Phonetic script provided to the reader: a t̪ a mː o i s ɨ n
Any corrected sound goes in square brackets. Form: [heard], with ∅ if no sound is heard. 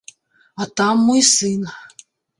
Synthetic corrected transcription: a t̪ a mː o [j] s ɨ n